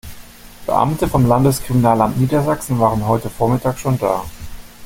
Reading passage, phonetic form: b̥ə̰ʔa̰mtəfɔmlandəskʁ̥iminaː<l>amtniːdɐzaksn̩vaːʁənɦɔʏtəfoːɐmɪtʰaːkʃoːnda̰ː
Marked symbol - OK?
yes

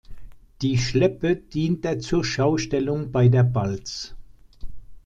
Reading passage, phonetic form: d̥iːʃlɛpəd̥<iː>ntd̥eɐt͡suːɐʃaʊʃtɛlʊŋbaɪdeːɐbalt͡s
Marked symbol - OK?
yes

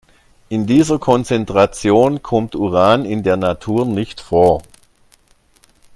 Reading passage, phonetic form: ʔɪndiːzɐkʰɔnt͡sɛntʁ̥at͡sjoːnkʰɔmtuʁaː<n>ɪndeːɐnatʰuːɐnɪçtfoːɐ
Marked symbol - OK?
yes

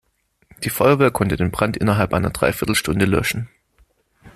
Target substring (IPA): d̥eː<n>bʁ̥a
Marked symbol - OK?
yes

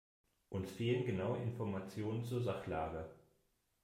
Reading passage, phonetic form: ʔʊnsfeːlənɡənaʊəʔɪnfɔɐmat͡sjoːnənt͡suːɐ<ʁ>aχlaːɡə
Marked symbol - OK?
no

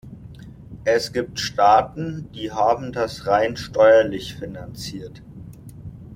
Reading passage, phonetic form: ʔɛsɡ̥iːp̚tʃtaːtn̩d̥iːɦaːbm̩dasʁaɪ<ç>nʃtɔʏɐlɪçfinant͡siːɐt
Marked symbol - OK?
no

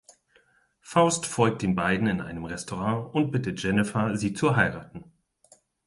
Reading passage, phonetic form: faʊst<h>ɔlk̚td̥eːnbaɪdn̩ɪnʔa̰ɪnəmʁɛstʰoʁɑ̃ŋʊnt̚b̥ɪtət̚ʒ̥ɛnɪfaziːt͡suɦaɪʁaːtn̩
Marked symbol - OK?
no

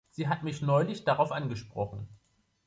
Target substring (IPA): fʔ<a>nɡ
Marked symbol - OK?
yes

